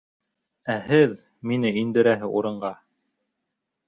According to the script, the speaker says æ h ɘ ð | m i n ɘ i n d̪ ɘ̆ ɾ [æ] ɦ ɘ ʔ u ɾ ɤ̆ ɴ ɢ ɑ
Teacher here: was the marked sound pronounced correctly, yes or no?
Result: yes